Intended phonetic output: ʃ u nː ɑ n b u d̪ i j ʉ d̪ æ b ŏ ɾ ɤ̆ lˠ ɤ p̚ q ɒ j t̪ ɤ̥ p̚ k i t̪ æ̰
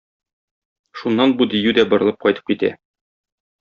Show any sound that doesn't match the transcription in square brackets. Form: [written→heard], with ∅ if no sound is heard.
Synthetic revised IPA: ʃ u nː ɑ n b u d̪ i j ʉ d̪ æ b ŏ ɾ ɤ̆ lˠ ɤ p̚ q ɒ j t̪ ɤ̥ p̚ k i t̪ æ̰